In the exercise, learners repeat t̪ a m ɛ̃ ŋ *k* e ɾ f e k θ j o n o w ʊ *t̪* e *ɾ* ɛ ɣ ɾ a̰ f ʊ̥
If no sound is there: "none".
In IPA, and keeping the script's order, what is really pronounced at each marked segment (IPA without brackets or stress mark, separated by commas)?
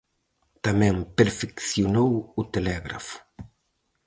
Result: p, t̪, l